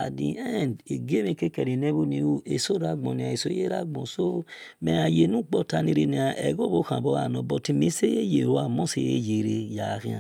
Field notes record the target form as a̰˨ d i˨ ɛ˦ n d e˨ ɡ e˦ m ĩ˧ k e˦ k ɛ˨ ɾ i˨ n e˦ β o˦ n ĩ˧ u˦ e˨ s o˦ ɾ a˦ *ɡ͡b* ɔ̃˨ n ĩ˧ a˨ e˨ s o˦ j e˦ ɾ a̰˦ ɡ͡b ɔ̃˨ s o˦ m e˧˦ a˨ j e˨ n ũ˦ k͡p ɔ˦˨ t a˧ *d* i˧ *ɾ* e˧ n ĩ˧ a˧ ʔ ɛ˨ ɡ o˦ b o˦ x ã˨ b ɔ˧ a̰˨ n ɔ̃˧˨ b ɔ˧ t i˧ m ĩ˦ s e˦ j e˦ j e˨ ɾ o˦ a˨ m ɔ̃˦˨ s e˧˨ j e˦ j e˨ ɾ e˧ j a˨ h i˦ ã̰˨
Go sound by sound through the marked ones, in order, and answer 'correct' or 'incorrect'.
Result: correct, incorrect: n, correct

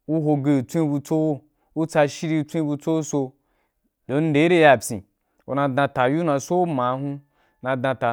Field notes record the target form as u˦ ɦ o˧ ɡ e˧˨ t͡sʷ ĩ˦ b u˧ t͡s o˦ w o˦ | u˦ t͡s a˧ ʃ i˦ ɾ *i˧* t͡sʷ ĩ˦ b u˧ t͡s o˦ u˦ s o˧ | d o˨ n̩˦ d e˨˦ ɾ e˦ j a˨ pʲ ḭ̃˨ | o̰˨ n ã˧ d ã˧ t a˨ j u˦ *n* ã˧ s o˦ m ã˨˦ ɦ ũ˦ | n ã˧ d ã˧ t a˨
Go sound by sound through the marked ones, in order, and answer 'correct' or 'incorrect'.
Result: correct, correct

